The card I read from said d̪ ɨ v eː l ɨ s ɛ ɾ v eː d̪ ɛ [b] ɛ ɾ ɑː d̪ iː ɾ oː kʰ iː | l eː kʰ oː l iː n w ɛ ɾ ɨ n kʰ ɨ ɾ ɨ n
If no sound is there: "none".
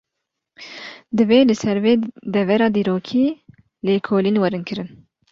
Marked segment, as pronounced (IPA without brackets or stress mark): v